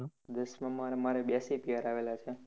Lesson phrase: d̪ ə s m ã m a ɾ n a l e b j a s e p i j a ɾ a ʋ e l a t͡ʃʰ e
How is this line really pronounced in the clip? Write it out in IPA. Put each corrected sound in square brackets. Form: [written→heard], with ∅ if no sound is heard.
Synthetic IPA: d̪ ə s m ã m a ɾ [n→m] a [l→ɾ] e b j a s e p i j a ɾ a ʋ e l a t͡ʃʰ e